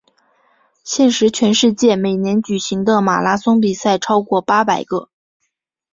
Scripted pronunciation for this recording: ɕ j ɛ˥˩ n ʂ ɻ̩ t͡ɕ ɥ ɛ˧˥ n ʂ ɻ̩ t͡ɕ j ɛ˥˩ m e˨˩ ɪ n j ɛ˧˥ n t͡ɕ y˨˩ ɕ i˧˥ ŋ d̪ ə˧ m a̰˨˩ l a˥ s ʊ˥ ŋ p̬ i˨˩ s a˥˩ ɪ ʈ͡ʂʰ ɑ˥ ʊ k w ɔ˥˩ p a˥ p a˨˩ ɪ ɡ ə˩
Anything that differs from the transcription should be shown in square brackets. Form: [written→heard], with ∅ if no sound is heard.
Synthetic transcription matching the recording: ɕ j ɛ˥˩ n ʂ ɻ̩ [t͡ɕ→t͡ɕʰ] ɥ ɛ˧˥ n ʂ ɻ̩ t͡ɕ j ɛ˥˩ m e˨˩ ɪ n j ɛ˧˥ n t͡ɕ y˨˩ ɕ i˧˥ ŋ d̪ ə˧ m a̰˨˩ l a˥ s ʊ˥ ŋ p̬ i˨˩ s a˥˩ ɪ ʈ͡ʂʰ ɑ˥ ʊ k w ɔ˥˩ p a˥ p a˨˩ ɪ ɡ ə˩